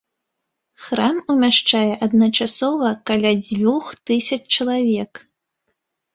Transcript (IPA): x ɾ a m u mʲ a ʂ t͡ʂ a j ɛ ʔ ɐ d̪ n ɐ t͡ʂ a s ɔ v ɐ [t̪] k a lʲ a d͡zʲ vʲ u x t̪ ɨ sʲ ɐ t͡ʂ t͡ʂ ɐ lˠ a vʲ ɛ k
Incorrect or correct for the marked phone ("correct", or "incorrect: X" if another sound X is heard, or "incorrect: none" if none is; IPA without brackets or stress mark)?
incorrect: none